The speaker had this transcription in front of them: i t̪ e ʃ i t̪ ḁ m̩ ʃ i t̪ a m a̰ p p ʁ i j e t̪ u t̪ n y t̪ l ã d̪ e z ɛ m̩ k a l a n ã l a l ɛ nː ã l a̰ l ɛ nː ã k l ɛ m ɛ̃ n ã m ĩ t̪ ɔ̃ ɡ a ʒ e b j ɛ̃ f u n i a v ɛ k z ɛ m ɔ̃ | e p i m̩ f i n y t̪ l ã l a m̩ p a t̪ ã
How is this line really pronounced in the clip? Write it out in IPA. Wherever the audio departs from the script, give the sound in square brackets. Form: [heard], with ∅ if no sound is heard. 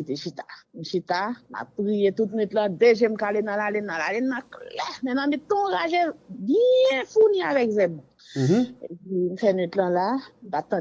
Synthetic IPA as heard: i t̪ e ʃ i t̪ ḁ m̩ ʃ i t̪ a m a̰ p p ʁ i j e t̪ u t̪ n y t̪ l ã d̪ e [ʒ] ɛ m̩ k a l [e] n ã l a l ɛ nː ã l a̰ l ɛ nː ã k l ɛ m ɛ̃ n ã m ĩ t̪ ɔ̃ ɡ a ʒ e b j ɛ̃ f u n i a v ɛ k z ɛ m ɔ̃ | e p i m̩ f [ɛ] n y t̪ l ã l a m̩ p a t̪ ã